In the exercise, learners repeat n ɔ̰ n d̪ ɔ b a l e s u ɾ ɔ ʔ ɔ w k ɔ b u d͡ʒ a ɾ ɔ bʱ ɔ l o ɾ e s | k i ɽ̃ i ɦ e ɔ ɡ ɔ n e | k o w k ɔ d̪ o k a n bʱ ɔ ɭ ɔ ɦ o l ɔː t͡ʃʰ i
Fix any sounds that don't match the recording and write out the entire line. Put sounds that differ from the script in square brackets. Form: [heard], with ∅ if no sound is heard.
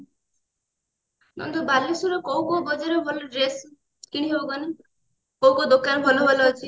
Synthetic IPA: n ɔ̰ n d̪ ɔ b a l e s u ɾ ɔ [k] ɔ w k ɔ b [ɔ] d͡ʒ a ɾ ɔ bʱ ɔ l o ɾ e s | k i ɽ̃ i ɦ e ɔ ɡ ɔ n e | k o w k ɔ d̪ o k a n bʱ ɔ [l] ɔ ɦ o l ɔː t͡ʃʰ i